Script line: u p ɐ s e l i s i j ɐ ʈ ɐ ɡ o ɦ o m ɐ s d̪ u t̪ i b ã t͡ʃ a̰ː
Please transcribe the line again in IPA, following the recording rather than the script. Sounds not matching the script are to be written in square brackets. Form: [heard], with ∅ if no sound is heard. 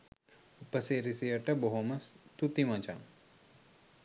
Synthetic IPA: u p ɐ s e [ɾ] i s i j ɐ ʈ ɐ [b] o ɦ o m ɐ s [t̪] u t̪ i [m] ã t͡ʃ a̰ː

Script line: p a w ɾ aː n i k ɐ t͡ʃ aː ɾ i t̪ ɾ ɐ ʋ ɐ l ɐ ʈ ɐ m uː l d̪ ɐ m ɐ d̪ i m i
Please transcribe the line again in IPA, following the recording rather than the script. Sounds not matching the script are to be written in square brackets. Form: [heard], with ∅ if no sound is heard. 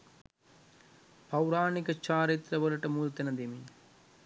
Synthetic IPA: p [ɐ] w ɾ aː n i k ɐ t͡ʃ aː ɾ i t̪ ɾ ɐ ʋ ɐ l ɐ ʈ ɐ m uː l [t̪] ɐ [n] ɐ d̪ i m i

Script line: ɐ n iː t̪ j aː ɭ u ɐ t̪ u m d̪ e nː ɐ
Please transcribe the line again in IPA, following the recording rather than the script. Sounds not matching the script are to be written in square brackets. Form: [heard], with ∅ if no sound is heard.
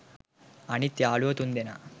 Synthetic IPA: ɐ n [i] t̪ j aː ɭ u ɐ t̪ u [n] d̪ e [n] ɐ

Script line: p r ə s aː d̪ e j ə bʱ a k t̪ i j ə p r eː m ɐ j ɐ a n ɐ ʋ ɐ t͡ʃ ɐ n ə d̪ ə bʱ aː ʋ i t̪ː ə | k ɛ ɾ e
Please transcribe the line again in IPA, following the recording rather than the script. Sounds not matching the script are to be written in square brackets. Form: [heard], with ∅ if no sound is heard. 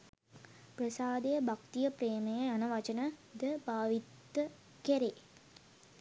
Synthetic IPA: p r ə s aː d̪ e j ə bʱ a k t̪ i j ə p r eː m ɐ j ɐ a n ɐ ʋ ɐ t͡ʃ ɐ n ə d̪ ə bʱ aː ʋ i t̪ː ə | k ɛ ɾ e

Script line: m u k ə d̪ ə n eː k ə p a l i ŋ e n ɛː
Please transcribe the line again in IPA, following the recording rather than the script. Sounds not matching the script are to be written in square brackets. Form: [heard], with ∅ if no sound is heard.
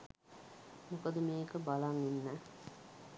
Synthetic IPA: m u k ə d̪ ə [m] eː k ə [b] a l [a] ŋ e [nː] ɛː

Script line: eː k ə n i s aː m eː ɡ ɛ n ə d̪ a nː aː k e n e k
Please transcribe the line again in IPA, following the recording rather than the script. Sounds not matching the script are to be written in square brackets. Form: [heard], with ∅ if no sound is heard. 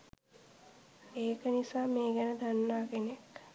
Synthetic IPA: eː k ə n i s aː m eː ɡ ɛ n ə d̪ a nː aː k e n e k

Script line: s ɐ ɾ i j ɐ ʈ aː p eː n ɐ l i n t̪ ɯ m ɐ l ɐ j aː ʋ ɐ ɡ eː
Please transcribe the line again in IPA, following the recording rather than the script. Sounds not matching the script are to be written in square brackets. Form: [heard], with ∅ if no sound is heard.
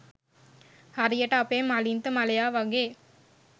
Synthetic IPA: [h] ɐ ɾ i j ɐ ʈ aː p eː [m] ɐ l i n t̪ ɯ m ɐ l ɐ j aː ʋ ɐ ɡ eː

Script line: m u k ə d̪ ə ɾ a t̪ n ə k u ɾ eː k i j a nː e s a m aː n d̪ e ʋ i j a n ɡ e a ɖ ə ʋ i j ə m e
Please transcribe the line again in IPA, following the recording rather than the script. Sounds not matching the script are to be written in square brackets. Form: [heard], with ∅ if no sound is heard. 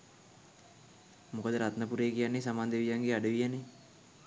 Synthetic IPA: m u k ə d̪ ə ɾ a t̪ n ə [p] u ɾ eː k i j a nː e s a m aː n d̪ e ʋ i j a [ŋ] ɡ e a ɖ ə ʋ i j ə [n] e

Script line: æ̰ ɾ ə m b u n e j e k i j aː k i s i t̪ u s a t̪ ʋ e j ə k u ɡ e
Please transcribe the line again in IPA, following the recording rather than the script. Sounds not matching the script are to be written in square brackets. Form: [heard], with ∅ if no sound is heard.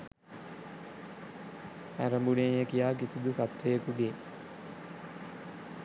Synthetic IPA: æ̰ ɾ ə m b u n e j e k i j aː k i s i [d̪] u s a t̪ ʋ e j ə k u ɡ e

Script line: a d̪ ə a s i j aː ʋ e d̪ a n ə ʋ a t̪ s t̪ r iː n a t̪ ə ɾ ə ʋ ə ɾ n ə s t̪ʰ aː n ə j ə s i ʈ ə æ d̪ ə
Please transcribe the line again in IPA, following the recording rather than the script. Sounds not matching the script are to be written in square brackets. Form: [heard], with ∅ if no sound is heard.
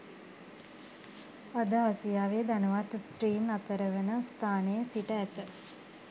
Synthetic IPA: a d̪ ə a s i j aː ʋ e d̪ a n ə ʋ a t̪ s t̪ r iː n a t̪ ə ɾ ə ʋ ə [∅] n ə s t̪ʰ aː n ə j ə s i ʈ ə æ [t̪] ə

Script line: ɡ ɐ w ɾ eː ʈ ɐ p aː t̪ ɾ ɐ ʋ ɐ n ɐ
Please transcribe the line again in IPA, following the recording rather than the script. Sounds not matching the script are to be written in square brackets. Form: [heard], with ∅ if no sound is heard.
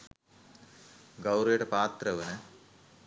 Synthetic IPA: ɡ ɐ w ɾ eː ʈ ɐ p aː t̪ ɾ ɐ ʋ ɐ n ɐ

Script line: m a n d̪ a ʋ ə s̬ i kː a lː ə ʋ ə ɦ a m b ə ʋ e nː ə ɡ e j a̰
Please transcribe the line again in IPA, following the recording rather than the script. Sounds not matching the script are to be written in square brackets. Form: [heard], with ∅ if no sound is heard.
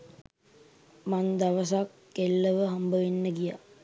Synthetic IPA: m a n d̪ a ʋ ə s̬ [a] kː [e] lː ə ʋ ə ɦ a m b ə ʋ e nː ə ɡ [i] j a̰

